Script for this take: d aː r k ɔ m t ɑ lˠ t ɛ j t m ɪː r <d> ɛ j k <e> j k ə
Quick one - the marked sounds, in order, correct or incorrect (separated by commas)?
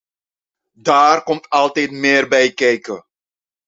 incorrect, incorrect